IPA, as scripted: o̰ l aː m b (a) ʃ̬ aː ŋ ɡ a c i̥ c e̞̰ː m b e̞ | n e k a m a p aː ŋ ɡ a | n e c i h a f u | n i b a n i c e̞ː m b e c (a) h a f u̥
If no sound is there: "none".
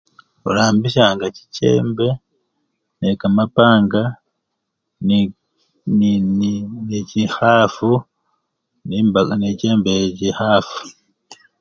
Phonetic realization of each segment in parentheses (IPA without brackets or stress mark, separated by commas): i, i